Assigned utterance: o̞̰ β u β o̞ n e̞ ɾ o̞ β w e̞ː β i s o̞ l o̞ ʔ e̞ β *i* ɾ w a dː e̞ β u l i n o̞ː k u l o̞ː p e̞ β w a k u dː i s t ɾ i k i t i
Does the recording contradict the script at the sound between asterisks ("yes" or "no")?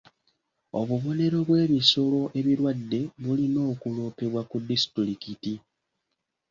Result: no